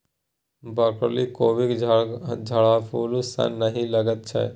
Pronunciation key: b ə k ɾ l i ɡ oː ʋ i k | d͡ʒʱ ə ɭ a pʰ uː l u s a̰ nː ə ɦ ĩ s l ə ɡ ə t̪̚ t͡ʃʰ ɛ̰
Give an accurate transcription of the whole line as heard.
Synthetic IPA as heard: b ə k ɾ l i k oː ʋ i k | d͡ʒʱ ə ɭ a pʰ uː l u s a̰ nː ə ɦ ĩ l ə ɡ ə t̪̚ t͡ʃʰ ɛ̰